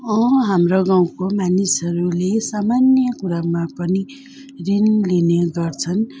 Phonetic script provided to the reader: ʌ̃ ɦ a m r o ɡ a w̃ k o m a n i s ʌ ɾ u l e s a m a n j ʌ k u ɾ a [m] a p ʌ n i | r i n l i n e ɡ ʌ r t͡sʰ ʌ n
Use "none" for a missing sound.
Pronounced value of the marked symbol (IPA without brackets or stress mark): m